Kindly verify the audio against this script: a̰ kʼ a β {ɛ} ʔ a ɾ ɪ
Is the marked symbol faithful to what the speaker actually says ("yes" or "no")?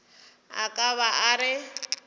no